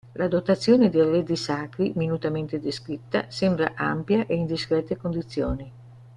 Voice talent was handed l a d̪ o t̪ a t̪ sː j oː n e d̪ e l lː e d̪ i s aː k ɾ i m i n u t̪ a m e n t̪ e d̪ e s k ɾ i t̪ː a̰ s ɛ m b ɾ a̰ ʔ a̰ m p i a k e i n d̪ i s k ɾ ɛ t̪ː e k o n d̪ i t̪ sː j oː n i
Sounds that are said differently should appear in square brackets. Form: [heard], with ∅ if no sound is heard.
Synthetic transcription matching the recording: l a d̪ o t̪ a t̪ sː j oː n e d̪ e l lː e d̪ i s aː k ɾ i m i n u t̪ a m e n t̪ e d̪ e s k ɾ i t̪ː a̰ s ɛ m b ɾ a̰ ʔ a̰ m p [j] a [ʔ] e i n d̪ i s k ɾ ɛ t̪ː e k o n d̪ i t̪ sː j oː n i